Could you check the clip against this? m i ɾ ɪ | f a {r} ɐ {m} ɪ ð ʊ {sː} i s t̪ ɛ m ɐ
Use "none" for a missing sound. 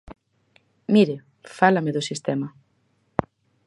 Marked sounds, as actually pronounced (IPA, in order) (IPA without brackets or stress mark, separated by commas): l, m, s